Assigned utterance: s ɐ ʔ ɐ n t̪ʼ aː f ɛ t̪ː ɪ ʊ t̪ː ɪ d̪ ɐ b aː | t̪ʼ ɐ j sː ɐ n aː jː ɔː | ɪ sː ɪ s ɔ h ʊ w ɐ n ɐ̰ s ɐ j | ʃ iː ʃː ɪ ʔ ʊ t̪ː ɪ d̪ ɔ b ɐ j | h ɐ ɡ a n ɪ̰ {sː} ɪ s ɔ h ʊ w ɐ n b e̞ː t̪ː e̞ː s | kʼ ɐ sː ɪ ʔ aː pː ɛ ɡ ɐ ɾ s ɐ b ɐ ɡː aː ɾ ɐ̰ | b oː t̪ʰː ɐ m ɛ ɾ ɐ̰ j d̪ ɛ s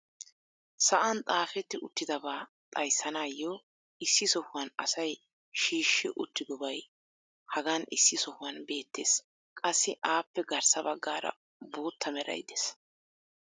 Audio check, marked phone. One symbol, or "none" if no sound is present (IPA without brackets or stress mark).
sː